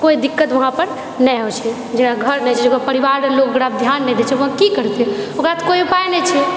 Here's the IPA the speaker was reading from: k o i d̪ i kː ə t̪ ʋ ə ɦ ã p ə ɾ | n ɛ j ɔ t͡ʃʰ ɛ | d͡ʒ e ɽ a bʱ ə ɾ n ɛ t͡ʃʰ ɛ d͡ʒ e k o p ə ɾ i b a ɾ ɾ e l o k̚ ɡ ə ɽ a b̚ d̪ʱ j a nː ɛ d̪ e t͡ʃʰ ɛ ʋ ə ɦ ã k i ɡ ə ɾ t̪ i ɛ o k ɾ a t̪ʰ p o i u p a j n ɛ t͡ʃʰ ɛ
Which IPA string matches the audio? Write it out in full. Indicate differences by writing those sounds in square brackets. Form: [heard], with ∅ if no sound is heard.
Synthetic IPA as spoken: k o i d̪ i kː ə t̪ ʋ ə ɦ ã p ə ɾ | n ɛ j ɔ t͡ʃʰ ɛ | d͡ʒ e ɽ a [ɡʱ] ə ɾ n ɛ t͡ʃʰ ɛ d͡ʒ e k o p ə ɾ i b a ɾ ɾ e l o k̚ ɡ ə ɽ a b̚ d̪ʱ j a nː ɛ d̪ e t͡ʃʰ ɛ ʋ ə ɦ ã k i [k] ə ɾ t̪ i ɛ o k ɾ a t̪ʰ [k] o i u p a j n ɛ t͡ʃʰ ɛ